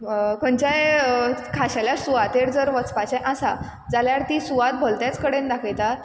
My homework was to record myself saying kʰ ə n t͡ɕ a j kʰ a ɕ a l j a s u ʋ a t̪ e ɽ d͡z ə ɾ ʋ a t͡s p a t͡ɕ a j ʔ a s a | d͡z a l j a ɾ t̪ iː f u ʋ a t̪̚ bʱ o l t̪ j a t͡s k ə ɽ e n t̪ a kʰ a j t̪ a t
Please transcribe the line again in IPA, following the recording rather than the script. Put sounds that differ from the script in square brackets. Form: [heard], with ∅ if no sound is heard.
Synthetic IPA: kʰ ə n t͡ɕ a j kʰ a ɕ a l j a s u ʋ a t̪ e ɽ d͡z ə ɾ ʋ [ə] t͡s p a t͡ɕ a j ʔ a s a | d͡z a l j a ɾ t̪ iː [s] u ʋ a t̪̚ bʱ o l t̪ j a t͡s k ə ɽ e n [d̪] a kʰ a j t̪ a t